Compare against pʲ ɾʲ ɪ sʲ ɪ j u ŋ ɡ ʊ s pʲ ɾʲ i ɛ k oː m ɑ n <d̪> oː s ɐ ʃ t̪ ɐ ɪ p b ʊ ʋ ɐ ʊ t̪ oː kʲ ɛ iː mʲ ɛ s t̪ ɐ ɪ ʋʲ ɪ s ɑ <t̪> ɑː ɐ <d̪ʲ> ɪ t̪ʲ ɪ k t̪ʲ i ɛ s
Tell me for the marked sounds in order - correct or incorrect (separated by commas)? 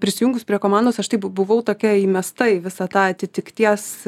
correct, correct, incorrect